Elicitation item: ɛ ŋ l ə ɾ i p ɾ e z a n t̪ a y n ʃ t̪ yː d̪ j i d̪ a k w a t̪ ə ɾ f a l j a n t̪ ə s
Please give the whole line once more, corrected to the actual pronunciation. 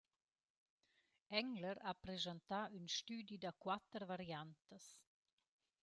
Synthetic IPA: ɛ ŋ l ə ɾ a p ɾ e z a n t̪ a y n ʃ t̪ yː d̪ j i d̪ a k w a t̪ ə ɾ v a ɾ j a n t̪ ə s